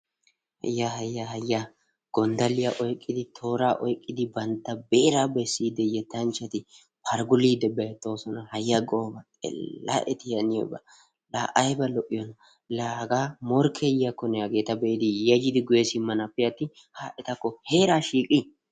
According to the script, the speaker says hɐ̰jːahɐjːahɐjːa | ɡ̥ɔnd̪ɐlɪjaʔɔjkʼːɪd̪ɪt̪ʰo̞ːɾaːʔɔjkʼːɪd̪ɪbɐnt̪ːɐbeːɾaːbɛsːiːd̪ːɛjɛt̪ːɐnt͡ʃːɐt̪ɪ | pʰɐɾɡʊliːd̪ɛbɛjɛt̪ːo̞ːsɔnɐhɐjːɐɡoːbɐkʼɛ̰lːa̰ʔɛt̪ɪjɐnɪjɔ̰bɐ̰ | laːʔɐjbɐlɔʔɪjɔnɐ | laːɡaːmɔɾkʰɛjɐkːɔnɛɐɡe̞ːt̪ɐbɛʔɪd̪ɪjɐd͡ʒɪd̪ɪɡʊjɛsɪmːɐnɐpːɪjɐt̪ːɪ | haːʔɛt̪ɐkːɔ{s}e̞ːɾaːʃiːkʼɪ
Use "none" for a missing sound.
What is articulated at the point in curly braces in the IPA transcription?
h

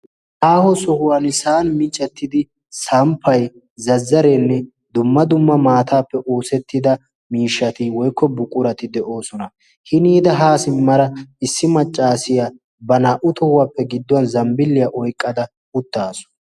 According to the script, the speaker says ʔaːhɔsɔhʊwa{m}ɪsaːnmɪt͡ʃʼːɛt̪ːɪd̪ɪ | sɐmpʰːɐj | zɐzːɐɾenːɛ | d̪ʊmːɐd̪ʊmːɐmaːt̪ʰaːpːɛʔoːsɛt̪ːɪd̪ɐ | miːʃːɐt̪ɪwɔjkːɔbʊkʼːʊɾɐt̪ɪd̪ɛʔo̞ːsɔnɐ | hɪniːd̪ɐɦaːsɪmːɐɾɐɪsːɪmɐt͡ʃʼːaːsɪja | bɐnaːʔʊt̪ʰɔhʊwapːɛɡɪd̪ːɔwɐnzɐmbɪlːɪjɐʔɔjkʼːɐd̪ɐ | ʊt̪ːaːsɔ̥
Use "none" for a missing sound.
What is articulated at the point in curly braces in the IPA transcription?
n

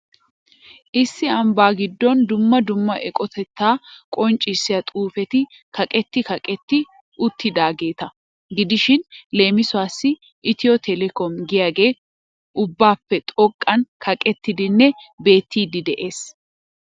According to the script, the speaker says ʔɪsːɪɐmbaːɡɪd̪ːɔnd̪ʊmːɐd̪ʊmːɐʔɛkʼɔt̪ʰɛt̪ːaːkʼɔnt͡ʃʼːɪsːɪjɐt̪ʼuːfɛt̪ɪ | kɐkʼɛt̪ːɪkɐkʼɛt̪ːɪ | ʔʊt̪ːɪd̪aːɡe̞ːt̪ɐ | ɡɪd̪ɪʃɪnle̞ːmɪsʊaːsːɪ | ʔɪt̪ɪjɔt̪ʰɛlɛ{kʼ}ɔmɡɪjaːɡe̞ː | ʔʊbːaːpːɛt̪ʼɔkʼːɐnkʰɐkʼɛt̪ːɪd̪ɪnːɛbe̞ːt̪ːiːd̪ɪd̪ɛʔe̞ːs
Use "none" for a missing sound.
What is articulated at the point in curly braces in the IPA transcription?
k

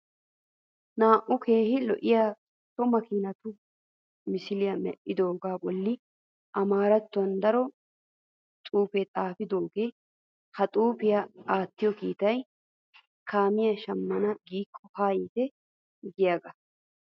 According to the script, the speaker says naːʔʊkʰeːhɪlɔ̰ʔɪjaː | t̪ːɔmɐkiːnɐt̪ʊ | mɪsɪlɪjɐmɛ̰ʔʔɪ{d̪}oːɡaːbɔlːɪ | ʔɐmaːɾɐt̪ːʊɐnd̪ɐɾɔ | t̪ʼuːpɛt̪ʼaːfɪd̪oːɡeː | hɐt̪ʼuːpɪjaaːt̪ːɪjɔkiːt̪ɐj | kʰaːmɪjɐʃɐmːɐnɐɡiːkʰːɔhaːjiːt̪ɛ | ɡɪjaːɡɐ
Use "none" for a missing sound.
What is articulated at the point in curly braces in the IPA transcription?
d̪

